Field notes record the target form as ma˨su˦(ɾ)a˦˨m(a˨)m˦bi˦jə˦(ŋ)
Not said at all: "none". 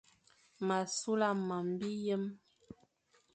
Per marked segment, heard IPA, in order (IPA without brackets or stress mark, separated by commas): l, a˨, m